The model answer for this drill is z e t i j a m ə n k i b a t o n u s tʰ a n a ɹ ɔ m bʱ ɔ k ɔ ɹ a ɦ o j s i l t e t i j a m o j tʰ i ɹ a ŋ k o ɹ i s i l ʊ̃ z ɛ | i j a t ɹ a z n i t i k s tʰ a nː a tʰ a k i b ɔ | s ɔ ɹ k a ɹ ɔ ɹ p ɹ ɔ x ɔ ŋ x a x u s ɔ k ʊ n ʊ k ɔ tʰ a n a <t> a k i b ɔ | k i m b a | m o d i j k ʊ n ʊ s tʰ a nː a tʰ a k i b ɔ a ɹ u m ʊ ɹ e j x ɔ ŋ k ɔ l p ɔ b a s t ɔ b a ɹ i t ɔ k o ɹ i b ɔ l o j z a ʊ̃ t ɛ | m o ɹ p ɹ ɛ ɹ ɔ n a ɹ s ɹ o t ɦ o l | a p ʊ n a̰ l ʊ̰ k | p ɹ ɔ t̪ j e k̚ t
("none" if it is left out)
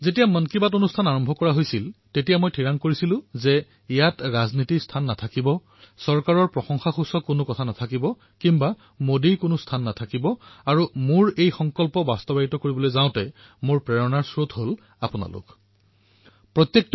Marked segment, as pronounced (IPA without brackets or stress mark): tʰ